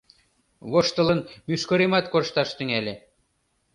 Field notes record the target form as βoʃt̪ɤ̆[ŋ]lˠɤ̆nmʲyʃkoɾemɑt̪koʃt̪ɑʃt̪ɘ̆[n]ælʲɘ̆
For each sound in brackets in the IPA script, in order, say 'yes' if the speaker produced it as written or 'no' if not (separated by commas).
no, no